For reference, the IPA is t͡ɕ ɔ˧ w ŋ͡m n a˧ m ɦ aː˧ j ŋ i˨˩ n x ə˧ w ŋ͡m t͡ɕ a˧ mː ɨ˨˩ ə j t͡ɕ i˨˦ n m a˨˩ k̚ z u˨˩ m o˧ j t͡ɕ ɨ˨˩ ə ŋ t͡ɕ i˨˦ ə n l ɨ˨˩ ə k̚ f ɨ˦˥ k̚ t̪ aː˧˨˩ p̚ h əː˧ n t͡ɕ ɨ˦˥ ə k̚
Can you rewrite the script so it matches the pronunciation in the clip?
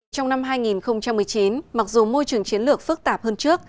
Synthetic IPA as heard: t͡ɕ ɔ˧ w ŋ͡m n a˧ m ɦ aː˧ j ŋ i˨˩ n x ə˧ w ŋ͡m t͡ɕ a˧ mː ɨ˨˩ ə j t͡ɕ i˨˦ n m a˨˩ k̚ z u˨˩ m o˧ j t͡ɕ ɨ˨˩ ə ŋ t͡ɕ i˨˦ ə n l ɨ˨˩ ə k̚ f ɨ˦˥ k̚ t̪ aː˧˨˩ p̚ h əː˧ n t͡ɕ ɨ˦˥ ə k̚